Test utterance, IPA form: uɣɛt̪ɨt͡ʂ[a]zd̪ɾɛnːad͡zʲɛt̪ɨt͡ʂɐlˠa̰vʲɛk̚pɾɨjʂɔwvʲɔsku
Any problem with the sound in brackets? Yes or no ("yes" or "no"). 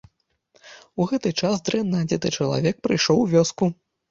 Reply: no